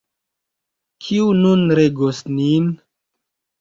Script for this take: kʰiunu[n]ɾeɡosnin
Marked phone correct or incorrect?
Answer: correct